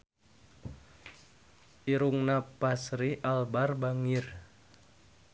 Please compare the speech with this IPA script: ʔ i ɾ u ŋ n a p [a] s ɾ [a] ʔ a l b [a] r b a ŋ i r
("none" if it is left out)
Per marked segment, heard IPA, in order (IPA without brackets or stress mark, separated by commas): a, i, a